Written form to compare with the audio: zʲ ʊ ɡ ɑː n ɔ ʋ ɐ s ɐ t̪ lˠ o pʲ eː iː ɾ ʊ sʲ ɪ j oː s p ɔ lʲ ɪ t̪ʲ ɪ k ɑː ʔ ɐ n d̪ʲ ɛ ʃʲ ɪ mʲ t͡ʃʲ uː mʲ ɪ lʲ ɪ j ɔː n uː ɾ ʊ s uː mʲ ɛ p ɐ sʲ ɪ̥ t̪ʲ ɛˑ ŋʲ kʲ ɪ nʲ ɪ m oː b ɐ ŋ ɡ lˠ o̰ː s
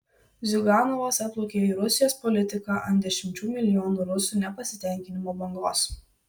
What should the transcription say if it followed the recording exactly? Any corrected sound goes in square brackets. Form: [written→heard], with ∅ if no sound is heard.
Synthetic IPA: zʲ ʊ ɡ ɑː n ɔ ʋ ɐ s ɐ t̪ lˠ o [pʲ→kʲ] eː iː ɾ ʊ sʲ ɪ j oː s p ɔ lʲ ɪ t̪ʲ ɪ k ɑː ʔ ɐ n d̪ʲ ɛ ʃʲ ɪ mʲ t͡ʃʲ uː mʲ ɪ lʲ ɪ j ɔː n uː ɾ ʊ s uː [mʲ→nʲ] ɛ p ɐ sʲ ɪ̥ t̪ʲ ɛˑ ŋʲ kʲ ɪ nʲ ɪ m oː b ɐ ŋ ɡ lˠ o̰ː s

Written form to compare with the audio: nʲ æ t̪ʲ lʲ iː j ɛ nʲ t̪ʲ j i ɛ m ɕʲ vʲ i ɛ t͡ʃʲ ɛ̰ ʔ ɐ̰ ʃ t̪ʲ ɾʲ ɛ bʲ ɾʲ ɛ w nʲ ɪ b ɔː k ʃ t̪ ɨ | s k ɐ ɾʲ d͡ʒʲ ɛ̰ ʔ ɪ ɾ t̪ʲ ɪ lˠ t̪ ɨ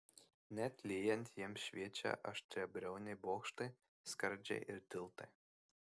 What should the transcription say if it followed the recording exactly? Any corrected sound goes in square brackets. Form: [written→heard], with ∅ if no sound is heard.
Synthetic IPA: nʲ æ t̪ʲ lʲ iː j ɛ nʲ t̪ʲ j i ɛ m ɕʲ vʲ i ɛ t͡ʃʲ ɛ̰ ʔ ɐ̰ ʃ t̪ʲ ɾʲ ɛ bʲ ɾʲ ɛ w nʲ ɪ b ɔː k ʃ t̪ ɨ | s k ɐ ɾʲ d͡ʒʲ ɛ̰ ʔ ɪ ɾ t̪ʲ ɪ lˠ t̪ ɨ

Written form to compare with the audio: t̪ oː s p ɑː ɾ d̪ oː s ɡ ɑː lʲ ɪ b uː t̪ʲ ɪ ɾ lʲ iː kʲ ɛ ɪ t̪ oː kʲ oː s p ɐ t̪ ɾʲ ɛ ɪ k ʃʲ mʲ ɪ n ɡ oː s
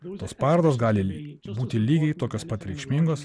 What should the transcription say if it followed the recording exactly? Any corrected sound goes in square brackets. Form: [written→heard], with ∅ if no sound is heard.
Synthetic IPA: t̪ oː s p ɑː ɾ d̪ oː s ɡ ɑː lʲ ɪ b uː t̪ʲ ɪ [ɾ→∅] lʲ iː [kʲ→ɡʲ] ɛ ɪ t̪ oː kʲ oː s p ɐ t̪ ɾʲ ɛ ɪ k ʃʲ mʲ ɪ [n→ŋ] ɡ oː s

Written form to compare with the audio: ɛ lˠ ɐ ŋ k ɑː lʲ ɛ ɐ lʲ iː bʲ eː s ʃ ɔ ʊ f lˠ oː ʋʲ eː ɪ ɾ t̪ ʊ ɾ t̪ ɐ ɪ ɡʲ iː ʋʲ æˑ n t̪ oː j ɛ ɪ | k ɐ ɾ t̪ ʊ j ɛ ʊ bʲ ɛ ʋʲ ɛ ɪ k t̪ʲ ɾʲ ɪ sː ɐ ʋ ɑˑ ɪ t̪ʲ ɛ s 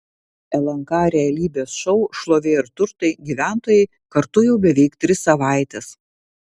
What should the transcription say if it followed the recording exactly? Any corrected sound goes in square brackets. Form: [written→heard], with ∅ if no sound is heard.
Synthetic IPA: ɛ lˠ ɐ ŋ k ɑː [lʲ→ɾʲ] ɛ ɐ lʲ iː bʲ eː s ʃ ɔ ʊ [f→ʃ] lˠ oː ʋʲ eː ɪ ɾ t̪ ʊ ɾ t̪ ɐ ɪ ɡʲ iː ʋʲ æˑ n t̪ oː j ɛ ɪ | k ɐ ɾ t̪ ʊ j ɛ ʊ bʲ ɛ ʋʲ ɛ ɪ k t̪ʲ ɾʲ ɪ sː ɐ ʋ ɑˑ ɪ t̪ʲ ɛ s

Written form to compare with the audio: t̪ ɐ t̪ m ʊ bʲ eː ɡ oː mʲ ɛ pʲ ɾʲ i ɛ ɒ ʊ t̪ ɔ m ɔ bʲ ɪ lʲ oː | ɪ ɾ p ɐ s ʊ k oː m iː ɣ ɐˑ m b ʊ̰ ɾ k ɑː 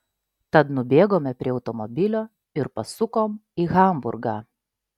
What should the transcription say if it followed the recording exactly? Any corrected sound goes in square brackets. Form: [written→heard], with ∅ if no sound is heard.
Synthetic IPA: t̪ ɐ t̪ [m→n] ʊ bʲ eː ɡ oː mʲ ɛ pʲ ɾʲ i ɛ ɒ ʊ t̪ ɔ m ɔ bʲ ɪ lʲ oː | ɪ ɾ p ɐ s ʊ k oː m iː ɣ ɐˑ m b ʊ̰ ɾ [k→ɡ] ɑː

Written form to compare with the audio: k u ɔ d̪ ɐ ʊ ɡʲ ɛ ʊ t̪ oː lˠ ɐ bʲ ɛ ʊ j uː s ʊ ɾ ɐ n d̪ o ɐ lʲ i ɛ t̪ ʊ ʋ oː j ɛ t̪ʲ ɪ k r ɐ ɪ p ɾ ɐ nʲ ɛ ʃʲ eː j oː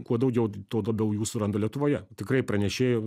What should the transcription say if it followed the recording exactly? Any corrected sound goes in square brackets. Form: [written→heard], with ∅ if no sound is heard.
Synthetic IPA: k u ɔ d̪ ɐ ʊ ɡʲ ɛ ʊ t̪ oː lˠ ɐ bʲ ɛ ʊ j uː s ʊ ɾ ɐ n d̪ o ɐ lʲ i ɛ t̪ ʊ ʋ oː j ɛ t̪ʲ ɪ k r ɐ ɪ p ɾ ɐ nʲ ɛ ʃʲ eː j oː

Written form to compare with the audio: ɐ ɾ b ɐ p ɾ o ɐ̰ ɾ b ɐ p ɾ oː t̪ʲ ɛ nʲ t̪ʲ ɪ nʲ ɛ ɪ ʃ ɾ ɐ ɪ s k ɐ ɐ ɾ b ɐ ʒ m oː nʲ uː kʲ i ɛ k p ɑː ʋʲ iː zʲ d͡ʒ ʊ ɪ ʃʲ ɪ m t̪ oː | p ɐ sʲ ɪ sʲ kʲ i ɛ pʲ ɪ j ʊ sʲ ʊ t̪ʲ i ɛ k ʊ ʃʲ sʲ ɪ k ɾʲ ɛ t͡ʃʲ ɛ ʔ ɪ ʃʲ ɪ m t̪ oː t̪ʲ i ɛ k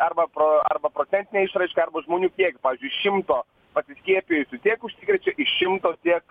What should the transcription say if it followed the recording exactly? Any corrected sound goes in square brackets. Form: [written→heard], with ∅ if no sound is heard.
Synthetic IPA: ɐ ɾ b ɐ p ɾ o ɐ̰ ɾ b ɐ p ɾ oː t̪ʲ ɛ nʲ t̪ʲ ɪ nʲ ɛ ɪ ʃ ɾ ɐ ɪ [s→ʃ] k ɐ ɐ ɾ b ɐ ʒ m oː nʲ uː kʲ i ɛ k p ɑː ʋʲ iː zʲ d͡ʒ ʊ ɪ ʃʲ ɪ m t̪ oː | p ɐ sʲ ɪ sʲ kʲ i ɛ pʲ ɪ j ʊ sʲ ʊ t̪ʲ i ɛ k ʊ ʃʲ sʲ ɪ k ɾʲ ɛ t͡ʃʲ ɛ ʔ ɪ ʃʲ ɪ m t̪ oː t̪ʲ i ɛ k

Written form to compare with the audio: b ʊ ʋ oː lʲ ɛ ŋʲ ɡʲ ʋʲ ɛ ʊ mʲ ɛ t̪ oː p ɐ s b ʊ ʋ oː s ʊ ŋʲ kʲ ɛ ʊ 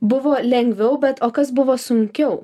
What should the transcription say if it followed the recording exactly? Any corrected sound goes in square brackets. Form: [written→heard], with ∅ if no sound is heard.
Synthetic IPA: b ʊ ʋ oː lʲ ɛ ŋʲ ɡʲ ʋʲ ɛ ʊ [mʲ→bʲ] ɛ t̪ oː [p→k] ɐ s b ʊ ʋ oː s ʊ ŋʲ kʲ ɛ ʊ

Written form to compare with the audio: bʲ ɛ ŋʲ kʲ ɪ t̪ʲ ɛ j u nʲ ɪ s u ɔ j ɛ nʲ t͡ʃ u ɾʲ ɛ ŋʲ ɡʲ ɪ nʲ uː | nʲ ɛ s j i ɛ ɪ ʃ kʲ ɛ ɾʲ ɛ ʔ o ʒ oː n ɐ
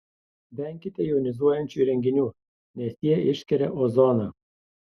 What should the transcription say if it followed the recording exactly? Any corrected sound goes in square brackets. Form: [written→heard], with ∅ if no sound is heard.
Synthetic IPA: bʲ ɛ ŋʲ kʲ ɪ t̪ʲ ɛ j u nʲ ɪ [s→z] u ɔ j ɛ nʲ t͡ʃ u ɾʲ ɛ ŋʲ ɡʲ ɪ nʲ uː | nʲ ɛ s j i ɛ ɪ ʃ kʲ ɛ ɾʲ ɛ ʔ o [ʒ→z] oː n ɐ

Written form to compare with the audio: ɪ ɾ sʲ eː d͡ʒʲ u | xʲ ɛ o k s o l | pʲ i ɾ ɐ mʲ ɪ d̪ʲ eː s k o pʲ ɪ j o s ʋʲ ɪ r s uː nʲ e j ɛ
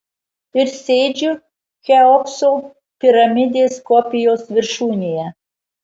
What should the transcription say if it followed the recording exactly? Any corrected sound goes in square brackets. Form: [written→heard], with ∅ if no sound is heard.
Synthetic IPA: ɪ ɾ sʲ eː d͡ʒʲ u | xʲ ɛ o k s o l | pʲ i ɾ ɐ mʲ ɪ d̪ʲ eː s k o pʲ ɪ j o s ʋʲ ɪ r [s→ʃ] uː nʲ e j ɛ

